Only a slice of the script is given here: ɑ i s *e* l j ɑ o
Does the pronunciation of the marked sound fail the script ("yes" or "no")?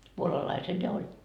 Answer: no